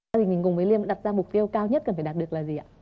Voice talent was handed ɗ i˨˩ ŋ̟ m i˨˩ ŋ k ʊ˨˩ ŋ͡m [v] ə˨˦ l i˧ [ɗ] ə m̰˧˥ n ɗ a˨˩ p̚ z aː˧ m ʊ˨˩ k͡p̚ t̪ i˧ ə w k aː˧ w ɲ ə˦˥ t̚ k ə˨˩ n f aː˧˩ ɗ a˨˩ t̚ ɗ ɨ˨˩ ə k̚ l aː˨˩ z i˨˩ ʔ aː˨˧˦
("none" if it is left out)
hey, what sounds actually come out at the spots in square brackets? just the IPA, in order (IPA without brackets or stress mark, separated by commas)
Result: v, none